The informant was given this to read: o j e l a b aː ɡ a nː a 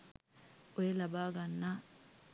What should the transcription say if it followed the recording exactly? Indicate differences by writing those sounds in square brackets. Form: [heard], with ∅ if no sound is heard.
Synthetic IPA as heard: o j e l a b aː ɡ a nː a

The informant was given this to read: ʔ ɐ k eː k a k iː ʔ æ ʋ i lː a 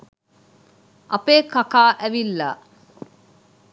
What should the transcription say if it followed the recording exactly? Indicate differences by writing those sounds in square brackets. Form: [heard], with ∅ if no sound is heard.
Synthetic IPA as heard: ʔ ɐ [p] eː k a k [aː] ʔ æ ʋ i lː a

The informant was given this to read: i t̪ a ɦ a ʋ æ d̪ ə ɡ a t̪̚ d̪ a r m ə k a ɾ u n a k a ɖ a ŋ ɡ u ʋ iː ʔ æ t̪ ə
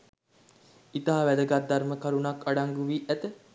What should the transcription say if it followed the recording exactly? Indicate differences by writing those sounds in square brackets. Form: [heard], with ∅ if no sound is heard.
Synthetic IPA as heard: i t̪ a ɦ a ʋ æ d̪ ə ɡ a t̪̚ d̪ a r m ə k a ɾ u n a k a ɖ a ŋ ɡ u ʋ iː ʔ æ t̪ ə

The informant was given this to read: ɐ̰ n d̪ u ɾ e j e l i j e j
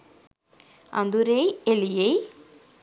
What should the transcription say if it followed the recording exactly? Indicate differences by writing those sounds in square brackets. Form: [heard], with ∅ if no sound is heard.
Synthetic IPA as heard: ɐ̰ n d̪ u ɾ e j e l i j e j

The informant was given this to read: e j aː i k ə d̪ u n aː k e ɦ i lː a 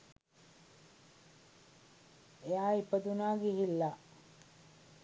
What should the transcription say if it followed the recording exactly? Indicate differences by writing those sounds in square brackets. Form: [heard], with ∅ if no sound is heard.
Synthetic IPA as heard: e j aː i [p] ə d̪ u n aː [ɡ] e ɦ i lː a

